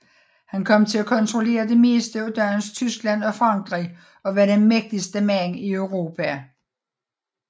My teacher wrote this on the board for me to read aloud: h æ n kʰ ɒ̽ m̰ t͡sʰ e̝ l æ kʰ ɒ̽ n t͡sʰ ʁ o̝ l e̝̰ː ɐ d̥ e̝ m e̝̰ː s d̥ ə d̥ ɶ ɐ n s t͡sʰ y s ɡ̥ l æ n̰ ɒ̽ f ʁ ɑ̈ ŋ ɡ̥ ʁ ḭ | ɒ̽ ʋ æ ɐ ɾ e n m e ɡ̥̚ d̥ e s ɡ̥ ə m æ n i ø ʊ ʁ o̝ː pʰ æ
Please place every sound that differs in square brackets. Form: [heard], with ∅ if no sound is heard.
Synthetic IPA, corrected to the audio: h æ n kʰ ɒ̽ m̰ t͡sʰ e̝ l æ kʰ ɒ̽ n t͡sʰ ʁ o̝ l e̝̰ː ɐ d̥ e̝ m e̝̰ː s d̥ ə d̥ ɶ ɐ n s t͡sʰ y s ɡ̥ l æ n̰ ɒ̽ f ʁ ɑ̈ ŋ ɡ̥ ʁ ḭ | ɒ̽ ʋ æ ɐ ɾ e n m e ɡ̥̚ d̥ [i] s [d̥] ə m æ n i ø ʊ ʁ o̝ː pʰ æ